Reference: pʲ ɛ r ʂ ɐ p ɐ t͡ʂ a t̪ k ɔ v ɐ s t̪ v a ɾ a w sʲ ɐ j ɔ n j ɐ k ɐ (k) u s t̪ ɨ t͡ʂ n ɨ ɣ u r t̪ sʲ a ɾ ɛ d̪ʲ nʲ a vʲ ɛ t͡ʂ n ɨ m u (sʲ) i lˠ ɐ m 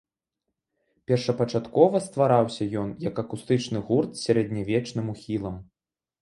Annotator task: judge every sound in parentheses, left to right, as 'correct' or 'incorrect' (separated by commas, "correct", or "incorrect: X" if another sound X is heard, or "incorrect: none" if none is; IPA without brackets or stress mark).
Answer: correct, incorrect: xʲ